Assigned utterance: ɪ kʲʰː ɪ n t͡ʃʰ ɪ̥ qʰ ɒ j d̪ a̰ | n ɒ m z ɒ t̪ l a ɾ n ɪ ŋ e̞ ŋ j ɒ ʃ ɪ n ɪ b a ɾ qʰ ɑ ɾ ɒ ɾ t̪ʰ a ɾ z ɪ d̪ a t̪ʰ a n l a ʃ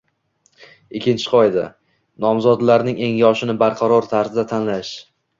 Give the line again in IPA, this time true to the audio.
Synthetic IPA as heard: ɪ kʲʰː ɪ n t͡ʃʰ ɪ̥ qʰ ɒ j d̪ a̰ | n ɒ m z ɒ d̪ l a ɾ n ɪ ŋ e̞ ŋ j ɒ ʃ ɪ n ɪ b a ɾ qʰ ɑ ɾ ɒ ɾ t̪ʰ a ɾ z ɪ d̪ a t̪ʰ a n l a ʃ